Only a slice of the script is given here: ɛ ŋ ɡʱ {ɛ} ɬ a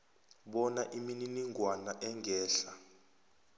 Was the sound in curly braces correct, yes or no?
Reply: no